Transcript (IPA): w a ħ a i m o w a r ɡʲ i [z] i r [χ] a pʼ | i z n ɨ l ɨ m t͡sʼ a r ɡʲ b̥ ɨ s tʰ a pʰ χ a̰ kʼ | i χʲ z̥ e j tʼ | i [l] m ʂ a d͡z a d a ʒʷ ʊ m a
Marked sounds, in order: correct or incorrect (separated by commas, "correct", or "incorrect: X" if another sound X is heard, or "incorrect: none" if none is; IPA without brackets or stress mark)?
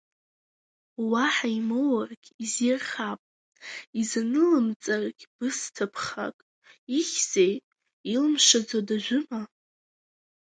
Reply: correct, correct, correct